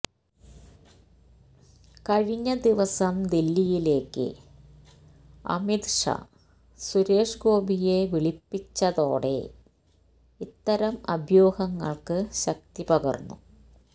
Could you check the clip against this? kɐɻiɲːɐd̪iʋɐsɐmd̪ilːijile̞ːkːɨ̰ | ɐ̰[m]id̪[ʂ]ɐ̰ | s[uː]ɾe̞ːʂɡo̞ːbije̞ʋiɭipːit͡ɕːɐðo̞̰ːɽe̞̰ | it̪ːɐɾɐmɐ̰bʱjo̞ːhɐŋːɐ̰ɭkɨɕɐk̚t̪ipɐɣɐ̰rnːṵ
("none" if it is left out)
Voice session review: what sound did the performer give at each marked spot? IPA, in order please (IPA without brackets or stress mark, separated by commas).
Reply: m, ʂ, u